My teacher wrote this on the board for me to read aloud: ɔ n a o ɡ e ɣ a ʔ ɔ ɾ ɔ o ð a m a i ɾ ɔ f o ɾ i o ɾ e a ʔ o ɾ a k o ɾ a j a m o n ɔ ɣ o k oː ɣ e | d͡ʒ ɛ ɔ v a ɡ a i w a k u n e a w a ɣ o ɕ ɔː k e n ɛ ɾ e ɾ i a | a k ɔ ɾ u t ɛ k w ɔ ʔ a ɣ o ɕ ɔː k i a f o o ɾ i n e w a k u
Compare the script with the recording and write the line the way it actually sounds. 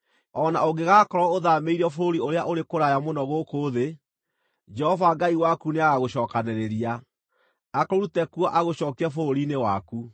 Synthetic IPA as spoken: ɔ n a o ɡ e ɣ a k ɔ ɾ ɔ o ð a m e i ɾ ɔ f o ɾ i o ɾ e a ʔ o ɾ e k o ɾ a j a m o n ɔ ɣ o k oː ð e | d͡ʒ ɛ ɔ v a ɡ a i w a k u n e a ɣ a ɣ o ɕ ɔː k a n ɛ ɾ e ɾ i a | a k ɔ ɾ u t ɛ k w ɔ ʔ a ɣ o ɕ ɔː k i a f o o ɾ i n e w a k u

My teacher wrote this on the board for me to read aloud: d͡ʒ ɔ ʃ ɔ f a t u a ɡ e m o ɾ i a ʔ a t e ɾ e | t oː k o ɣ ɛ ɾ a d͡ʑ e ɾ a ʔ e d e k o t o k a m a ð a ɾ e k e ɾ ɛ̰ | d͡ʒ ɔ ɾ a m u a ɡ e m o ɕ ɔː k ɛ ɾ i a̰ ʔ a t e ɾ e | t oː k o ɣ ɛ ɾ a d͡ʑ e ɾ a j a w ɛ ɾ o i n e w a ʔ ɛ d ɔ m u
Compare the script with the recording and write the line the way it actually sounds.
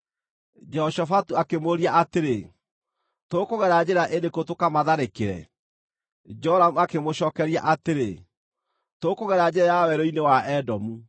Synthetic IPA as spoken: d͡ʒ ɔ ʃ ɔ f a t u a k e m o ɾ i a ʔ a t e ɾ e | t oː k o ɣ ɛ ɾ a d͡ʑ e ɾ a ʔ e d e k o t o k a m a ð a ɾ e k e ɾ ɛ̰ | d͡ʒ ɔ ɾ a m u a k e m o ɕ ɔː k ɛ ɾ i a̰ ʔ a t e ɾ e | t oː k o ɣ ɛ ɾ a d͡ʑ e ɾ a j a w ɛ ɾ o i n e w a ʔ ɛ d ɔ m u

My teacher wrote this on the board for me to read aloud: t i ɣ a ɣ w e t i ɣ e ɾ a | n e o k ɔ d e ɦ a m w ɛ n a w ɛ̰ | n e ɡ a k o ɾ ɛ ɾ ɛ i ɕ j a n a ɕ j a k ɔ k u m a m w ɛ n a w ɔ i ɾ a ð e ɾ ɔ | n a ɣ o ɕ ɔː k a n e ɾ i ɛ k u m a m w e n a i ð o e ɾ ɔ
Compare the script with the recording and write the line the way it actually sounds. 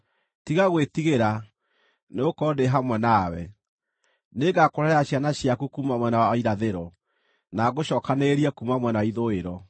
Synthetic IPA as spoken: t i ɣ a ɣ w e t i ɣ e ɾ a | n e o k ɔ d e ɦ a m w ɛ n a w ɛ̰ | n e ɡ a k o ɾ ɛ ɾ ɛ a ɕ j a n a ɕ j a k u k u m a m w ɛ n a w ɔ i ɾ a ð e ɾ ɔ | n a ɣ o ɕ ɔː k a n e ɾ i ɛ k u m a m w ɛ n a i ð o e ɾ ɔ

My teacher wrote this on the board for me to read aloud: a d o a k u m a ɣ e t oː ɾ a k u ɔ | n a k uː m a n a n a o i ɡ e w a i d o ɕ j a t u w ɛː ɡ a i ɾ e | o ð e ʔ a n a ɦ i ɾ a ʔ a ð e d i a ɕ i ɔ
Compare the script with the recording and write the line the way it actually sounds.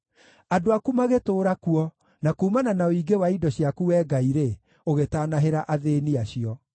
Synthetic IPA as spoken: a d o a k u m a ɣ e t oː ɾ a k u ɔ | n a k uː m a n a n a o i ɡ e w a i d ɔ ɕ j a k u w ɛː ɡ a i ɾ e | o ɣ e t a n a ɦ e ɾ a ʔ a ð e n i a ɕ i ɔ

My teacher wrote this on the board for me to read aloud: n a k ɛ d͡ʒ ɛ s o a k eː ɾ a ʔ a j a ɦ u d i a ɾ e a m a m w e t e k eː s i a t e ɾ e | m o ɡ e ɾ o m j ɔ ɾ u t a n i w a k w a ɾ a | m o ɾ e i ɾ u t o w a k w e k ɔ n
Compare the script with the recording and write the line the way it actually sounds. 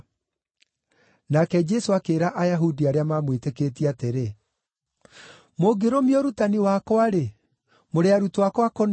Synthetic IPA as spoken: n a k ɛ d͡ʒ ɛ s o a k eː ɾ a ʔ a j a ɦ u d i a ɾ e a m a m w e t e k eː t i a t e ɾ e | m o ɡ e ɾ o m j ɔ ɾ u t a n i w a k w a ɾ e | m o ɾ e a ɾ u t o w a k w a k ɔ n

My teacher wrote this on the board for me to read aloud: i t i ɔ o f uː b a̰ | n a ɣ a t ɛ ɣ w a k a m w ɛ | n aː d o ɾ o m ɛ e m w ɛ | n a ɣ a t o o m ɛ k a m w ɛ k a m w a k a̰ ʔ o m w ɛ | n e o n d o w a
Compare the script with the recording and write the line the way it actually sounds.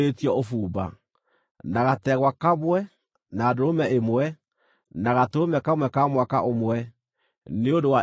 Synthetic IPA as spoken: e t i ɔ o f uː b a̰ | n a ɣ a t ɛ ɣ w a k a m w ɛ | n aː d o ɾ o m ɛ e m w ɛ | n a ɣ a t o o m ɛ k a m w ɛ k a m w a k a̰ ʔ o m w ɛ | n e o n d o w a

